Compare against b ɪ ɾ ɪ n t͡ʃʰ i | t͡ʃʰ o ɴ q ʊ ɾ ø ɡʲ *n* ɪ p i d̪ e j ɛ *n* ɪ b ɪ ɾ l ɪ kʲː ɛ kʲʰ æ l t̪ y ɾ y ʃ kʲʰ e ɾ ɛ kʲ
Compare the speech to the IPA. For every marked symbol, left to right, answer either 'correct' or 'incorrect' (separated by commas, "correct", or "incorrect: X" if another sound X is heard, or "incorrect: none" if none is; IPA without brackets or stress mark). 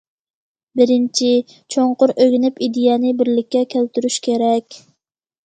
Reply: correct, correct